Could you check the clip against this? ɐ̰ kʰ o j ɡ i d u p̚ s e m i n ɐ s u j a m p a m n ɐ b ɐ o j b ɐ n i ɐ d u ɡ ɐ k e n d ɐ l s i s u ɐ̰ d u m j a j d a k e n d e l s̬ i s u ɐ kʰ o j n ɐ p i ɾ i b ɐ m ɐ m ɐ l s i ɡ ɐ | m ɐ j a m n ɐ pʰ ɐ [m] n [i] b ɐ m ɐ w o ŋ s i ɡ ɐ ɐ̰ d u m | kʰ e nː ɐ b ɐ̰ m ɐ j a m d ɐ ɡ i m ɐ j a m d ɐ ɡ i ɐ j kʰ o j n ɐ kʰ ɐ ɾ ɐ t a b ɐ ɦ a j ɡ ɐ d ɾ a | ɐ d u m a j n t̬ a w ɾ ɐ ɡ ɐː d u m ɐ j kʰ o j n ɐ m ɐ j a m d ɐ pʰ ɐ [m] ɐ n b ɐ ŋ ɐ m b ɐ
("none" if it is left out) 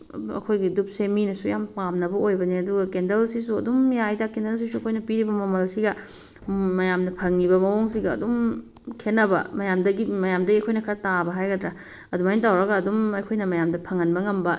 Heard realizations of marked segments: ŋ, i, ŋ

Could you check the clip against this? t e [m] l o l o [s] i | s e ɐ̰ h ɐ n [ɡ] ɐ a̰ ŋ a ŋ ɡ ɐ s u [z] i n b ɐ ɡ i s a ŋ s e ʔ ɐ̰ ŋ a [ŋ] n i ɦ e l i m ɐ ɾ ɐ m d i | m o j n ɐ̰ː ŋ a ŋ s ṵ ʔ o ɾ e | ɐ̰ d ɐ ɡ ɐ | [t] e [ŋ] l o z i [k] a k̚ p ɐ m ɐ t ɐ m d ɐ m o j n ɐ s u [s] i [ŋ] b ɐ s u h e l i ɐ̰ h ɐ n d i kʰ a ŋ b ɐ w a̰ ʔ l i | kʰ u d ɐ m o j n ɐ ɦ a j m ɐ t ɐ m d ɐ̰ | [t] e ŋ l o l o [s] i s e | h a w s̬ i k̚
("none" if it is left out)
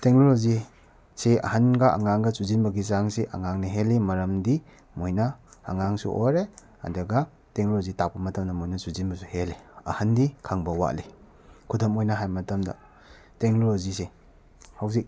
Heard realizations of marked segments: ŋ, z, ɡ, z, ŋ, t, ŋ, t, z, n, t, z

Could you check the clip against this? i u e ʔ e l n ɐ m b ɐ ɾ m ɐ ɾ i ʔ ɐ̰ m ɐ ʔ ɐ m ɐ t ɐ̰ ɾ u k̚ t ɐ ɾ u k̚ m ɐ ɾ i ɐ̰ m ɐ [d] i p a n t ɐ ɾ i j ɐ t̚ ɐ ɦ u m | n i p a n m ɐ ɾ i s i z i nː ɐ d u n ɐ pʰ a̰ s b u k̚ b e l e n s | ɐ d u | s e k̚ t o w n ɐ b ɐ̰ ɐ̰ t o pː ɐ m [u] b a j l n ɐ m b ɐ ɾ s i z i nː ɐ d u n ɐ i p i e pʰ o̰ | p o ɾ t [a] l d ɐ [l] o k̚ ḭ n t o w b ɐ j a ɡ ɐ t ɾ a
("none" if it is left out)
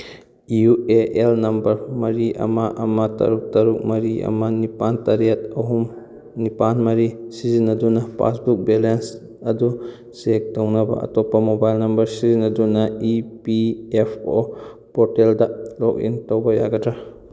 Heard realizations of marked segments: n, o, e, l

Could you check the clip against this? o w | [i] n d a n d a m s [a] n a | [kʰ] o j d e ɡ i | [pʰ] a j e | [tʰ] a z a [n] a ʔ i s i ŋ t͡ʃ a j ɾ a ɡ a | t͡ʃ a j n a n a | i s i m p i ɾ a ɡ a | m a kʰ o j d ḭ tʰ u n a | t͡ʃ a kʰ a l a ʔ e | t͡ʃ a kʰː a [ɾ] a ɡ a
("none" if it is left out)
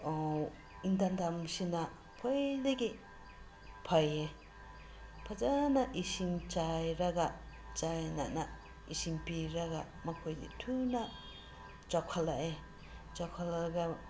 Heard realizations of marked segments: i, i, pʰ, pʰ, pʰ, n, l

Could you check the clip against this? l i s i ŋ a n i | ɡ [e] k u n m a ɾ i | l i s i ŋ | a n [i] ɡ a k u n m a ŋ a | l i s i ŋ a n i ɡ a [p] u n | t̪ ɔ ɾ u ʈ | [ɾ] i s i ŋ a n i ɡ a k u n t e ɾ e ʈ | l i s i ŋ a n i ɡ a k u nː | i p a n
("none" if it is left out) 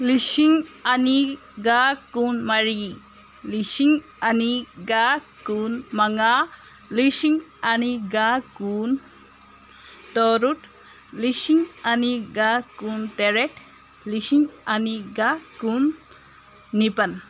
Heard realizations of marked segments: a, i, k, l

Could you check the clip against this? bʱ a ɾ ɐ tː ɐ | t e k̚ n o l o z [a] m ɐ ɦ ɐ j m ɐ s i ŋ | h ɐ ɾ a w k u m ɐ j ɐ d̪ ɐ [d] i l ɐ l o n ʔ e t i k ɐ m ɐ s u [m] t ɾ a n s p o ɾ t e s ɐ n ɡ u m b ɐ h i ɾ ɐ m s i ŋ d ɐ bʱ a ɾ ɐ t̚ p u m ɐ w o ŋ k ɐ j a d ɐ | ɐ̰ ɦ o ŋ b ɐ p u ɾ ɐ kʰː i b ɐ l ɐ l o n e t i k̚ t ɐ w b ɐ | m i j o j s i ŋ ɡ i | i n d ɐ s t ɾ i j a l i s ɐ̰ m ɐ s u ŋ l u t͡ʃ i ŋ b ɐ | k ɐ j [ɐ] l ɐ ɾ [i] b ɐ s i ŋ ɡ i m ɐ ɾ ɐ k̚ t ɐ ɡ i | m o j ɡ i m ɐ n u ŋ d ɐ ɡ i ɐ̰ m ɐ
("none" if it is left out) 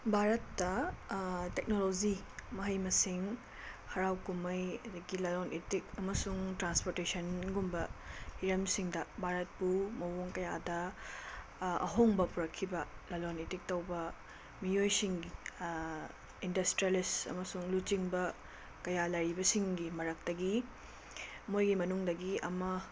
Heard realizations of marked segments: i, ɡ, ŋ, a, i

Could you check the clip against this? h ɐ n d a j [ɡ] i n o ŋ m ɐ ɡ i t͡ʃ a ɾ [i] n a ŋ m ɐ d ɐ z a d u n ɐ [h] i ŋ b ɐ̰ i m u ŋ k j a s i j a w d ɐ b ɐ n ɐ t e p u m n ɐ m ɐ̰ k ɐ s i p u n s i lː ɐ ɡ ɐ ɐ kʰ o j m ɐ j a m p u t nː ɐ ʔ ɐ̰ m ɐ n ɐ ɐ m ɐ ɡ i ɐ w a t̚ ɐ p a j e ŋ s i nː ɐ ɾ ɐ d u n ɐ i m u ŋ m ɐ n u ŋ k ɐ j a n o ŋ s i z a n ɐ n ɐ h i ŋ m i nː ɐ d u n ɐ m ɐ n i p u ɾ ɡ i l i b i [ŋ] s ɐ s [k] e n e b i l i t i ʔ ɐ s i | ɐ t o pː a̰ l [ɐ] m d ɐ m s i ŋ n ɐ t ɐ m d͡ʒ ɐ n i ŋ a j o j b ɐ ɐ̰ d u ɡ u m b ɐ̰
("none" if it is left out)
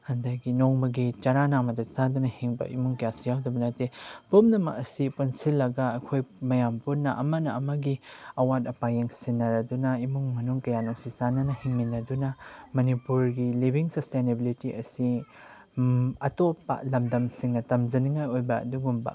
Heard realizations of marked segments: ɡ, a, h, ŋ, t, ɐ

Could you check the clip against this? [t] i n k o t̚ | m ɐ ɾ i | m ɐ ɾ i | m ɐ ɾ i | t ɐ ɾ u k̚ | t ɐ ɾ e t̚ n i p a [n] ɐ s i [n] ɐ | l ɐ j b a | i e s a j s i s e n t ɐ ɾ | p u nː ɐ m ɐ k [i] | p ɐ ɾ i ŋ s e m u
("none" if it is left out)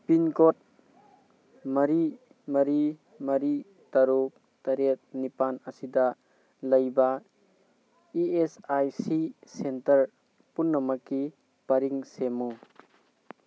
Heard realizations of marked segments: p, n, d, i

